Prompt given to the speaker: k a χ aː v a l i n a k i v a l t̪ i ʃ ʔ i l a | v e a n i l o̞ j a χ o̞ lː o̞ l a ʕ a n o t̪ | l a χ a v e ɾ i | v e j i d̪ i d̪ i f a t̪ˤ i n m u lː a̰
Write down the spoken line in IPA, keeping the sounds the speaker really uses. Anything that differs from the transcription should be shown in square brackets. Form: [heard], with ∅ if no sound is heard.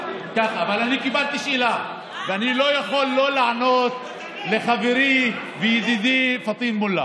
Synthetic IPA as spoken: k a χ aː v a l [a] n [i] k i [b] a l t̪ i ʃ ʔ i l a | v e a n i l o̞ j a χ o̞ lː o̞ l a ʕ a n o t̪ | l [e] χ a v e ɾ i | v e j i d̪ i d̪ i f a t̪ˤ i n m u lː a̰